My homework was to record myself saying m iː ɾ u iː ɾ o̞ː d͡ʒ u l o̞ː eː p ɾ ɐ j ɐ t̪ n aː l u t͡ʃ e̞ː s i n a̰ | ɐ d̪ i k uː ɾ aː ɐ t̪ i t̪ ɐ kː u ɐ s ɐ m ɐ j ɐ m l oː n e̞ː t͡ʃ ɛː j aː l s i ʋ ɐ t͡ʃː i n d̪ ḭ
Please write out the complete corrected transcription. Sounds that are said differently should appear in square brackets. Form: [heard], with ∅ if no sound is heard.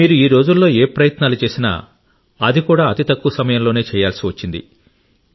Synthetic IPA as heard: m iː ɾ u iː ɾ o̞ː d͡ʒ u [lː] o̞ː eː p ɾ ɐ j ɐ t̪ n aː l u t͡ʃ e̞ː s i n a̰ | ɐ d̪ i k uː [ɽ] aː ɐ t̪ i t̪ ɐ kː u ɐ s ɐ m ɐ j ɐ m l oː n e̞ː t͡ʃ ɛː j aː l s i ʋ ɐ t͡ʃː i n d̪ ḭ